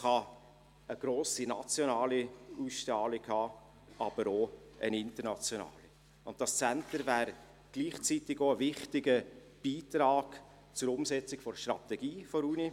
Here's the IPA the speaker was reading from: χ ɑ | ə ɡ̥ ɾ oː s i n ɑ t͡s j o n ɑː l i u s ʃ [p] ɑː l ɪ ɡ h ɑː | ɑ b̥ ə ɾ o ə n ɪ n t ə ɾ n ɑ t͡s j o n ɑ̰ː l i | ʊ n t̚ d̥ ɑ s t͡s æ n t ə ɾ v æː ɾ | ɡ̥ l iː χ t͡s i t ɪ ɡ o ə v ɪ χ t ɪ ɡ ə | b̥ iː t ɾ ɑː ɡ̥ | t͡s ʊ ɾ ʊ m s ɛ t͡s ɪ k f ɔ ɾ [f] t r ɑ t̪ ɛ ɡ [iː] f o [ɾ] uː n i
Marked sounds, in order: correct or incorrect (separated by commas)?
incorrect, incorrect, correct, correct